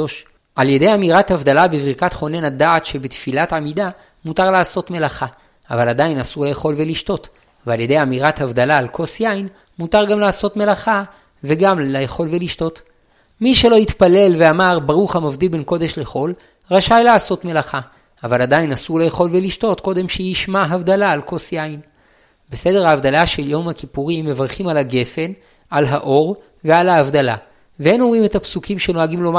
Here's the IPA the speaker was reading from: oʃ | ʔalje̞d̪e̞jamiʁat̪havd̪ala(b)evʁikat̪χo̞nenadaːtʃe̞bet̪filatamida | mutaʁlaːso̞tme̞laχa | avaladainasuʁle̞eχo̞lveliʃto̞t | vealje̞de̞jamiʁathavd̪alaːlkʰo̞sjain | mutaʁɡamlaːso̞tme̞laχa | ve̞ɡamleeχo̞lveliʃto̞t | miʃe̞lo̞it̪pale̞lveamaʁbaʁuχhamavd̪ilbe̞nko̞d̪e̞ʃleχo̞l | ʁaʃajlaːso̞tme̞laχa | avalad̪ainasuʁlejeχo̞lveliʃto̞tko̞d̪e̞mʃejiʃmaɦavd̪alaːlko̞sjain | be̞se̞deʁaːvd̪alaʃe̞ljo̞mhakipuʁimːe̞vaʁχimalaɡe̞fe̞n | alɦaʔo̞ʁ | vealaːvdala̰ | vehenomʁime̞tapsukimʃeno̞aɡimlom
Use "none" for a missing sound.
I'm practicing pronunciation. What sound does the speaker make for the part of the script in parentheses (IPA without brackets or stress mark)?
b